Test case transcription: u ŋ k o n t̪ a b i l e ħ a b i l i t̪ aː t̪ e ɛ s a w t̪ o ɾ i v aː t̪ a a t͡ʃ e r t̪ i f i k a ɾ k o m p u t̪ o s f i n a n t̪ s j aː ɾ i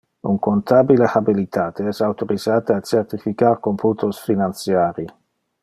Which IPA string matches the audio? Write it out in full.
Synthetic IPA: u ŋ k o n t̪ a b i l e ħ a b i l i t̪ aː t̪ e ɛ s a w t̪ o ɾ i z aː t̪ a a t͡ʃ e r t̪ i f i k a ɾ k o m p u t̪ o s f i n a n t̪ s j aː ɾ i